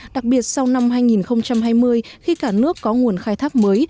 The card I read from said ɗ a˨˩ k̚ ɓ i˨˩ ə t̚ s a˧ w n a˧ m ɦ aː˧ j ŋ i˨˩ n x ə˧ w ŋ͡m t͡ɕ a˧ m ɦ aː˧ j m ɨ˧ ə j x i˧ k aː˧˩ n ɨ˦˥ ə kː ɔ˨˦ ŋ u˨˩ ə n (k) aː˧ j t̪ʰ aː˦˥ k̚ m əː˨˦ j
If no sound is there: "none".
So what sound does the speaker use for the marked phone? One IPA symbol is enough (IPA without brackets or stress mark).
x